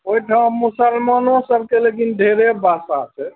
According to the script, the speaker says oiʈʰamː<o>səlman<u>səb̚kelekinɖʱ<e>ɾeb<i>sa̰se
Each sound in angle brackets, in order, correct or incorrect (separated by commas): incorrect, incorrect, correct, incorrect